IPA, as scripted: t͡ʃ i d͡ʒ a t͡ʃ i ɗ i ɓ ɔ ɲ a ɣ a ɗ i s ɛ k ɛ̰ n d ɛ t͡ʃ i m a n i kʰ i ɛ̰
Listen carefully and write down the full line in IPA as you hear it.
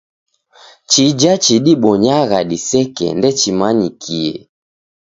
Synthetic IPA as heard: t͡ʃ i d͡ʒ a t͡ʃ i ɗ i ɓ ɔ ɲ a ɣ a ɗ i s ɛ k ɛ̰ n d ɛ t͡ʃ i m a ɲ i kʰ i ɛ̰